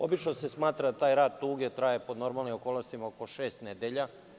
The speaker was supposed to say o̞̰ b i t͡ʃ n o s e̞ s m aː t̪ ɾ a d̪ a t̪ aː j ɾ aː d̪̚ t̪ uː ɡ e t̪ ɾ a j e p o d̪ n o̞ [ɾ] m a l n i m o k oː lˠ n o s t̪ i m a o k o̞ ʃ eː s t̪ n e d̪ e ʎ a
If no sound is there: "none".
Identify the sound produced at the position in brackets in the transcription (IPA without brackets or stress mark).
ɾ